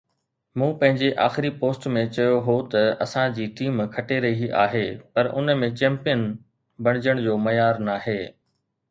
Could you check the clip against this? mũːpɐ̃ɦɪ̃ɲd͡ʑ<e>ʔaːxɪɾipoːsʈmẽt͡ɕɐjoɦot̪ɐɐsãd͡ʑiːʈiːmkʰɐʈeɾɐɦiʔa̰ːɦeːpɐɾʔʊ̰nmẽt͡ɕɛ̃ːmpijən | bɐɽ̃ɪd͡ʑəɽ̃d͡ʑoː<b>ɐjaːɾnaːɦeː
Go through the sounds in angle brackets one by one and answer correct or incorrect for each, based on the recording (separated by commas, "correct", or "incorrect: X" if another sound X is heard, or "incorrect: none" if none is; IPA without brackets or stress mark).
correct, incorrect: m